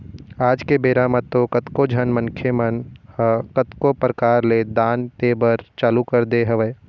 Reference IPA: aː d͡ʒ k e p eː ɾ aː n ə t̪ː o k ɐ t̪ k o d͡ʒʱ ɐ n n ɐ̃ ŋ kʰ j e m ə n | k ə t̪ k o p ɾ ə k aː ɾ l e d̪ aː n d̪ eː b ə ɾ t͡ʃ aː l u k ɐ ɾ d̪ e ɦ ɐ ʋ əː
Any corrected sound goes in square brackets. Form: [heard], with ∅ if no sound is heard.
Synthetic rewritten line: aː d͡ʒ k e [b] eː ɾ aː [m] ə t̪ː o k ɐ t̪ k o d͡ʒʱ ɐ n [m] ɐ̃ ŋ kʰ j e m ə n | k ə t̪ k o p ɾ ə k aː ɾ l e d̪ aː n [t̪] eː b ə ɾ t͡ʃ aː l u k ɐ ɾ d̪ e ɦ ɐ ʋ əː

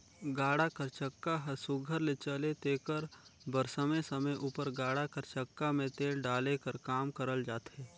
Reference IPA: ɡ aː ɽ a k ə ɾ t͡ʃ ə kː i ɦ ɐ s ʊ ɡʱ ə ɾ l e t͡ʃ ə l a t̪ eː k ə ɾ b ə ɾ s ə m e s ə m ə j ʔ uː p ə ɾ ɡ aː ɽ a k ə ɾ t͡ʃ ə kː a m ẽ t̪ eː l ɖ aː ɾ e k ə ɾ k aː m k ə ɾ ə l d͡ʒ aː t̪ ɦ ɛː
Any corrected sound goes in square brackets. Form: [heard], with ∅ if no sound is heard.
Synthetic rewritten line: ɡ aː ɽ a k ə ɾ t͡ʃ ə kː [a] ɦ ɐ s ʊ ɡʱ ə ɾ l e t͡ʃ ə l [e] t̪ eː k ə ɾ b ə ɾ s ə m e s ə m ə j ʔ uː p ə ɾ ɡ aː ɽ a k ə ɾ t͡ʃ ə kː a m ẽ t̪ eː l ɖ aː [l] e k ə ɾ k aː m k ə ɾ ə l d͡ʒ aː t̪ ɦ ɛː

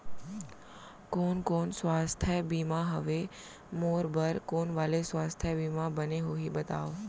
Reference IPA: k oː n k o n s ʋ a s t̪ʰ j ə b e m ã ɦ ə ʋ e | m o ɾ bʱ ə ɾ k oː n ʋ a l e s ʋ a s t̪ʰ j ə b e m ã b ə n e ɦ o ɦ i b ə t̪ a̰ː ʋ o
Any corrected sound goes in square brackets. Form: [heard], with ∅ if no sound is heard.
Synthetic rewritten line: k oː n k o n s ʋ a s t̪ʰ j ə b [i] m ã ɦ ə ʋ e | m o ɾ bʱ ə ɾ k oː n ʋ a l e s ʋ a s t̪ʰ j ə b [i] m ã b ə n e ɦ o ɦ i b ə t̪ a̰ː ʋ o

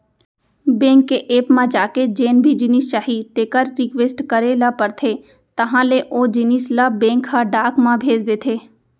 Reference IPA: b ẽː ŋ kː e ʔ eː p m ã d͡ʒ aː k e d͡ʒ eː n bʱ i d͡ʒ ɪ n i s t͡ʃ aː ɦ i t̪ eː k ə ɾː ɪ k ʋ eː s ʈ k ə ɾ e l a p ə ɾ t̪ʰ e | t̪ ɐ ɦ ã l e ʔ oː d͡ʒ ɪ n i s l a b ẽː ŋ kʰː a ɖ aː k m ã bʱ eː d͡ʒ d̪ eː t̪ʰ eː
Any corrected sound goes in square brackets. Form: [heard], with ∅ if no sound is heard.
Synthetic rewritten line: b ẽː ŋ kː e ʔ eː p m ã d͡ʒ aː k e d͡ʒ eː n bʱ i d͡ʒ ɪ n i s t͡ʃ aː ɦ i t̪ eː k ə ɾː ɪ k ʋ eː s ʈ k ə ɾ e l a p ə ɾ t̪ʰ e | t̪ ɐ ɦ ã l e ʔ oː d͡ʒ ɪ n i s l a b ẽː ŋ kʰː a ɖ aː k m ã bʱ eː d͡ʒ d̪ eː t̪ʰ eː

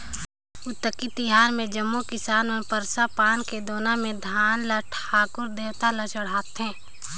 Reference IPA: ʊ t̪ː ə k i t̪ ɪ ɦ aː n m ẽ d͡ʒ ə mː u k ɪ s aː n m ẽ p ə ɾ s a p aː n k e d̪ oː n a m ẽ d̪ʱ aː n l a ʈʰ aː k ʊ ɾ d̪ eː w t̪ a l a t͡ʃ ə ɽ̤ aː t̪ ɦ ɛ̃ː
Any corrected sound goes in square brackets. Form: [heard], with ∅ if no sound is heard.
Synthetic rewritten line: ʊ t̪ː ə k i t̪ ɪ ɦ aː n m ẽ d͡ʒ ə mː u k ɪ s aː n m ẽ p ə ɾ s a p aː n k e d̪ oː n a m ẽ d̪ʱ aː n l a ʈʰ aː k ʊ ɾ d̪ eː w t̪ a l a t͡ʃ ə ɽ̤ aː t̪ ɦ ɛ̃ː

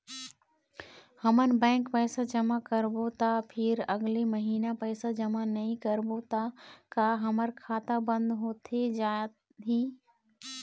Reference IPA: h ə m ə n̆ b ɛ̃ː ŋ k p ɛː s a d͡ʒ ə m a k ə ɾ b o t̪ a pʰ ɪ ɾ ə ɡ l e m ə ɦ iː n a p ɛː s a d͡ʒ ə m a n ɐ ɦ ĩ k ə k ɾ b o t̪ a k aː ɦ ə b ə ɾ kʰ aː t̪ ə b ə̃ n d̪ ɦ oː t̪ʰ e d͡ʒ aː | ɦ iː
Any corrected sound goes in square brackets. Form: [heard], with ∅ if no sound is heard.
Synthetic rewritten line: h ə m ə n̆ b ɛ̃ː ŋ k p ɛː s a d͡ʒ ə m a k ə ɾ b o t̪ a pʰ ɪ ɾ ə ɡ l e m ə ɦ iː n a p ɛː s a d͡ʒ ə m a n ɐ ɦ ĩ k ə [∅] ɾ b o t̪ a k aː ɦ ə [m] ə ɾ kʰ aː t̪ [a] b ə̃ n d̪ ɦ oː t̪ʰ e d͡ʒ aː | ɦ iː

